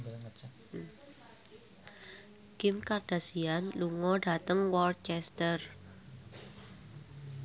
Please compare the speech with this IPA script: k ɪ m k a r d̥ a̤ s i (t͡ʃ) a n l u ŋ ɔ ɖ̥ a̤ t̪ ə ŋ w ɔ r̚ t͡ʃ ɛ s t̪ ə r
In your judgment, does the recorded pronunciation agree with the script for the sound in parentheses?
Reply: no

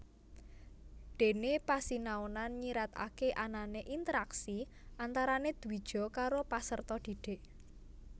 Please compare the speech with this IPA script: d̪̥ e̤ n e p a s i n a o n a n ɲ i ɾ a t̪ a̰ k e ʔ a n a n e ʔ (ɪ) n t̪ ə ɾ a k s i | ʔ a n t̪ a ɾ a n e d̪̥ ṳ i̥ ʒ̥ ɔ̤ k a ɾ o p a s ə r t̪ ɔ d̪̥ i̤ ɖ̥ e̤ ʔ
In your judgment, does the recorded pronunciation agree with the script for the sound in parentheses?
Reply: no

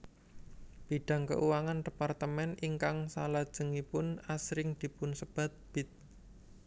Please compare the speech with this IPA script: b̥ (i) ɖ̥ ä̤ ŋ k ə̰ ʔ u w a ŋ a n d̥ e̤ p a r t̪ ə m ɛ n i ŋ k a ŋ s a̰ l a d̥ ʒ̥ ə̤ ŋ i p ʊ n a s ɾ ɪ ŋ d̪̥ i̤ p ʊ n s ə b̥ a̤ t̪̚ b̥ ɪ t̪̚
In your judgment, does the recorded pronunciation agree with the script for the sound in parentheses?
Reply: yes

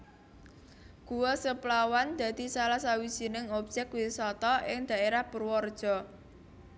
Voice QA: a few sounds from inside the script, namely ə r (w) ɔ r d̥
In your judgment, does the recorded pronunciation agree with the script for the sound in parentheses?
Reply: yes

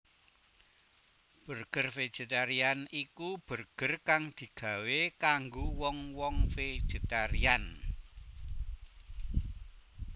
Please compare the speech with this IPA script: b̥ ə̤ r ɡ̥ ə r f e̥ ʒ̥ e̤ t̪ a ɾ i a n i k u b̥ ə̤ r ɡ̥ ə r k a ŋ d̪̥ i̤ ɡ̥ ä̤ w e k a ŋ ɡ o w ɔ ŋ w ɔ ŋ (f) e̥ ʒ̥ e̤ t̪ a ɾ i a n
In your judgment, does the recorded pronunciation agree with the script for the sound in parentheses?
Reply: yes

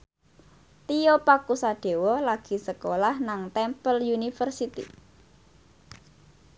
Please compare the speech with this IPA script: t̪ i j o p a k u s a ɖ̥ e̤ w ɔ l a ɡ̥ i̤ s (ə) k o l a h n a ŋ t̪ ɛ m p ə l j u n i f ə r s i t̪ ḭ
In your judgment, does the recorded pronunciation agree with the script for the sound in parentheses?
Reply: yes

